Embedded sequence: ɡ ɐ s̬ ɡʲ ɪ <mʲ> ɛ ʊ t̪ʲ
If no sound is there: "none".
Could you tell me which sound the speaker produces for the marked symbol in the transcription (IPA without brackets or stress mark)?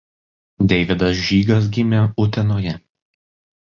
mʲ